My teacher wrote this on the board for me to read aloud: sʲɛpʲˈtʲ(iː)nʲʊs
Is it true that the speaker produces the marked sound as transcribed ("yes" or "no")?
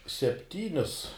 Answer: yes